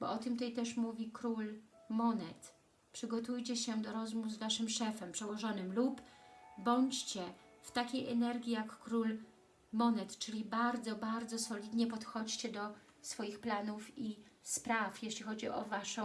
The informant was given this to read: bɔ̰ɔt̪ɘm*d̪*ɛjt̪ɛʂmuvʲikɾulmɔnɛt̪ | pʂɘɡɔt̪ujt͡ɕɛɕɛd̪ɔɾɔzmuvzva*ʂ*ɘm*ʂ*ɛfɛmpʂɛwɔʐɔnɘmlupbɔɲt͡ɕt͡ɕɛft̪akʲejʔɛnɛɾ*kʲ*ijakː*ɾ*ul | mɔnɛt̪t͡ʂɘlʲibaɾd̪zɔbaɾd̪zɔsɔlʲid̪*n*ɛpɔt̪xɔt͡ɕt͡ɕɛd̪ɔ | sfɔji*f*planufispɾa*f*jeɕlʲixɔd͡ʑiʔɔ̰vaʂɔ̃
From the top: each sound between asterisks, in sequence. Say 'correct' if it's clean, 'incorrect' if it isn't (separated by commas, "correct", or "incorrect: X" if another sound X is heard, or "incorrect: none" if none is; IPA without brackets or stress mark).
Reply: incorrect: t̪, correct, correct, incorrect: ɡʲ, correct, incorrect: ɲ, incorrect: x, correct